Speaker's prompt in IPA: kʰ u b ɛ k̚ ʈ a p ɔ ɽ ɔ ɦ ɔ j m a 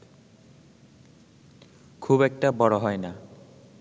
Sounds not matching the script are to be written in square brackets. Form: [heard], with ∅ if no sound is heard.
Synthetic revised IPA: kʰ u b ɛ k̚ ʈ a [b] ɔ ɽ ɔ ɦ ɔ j [n] a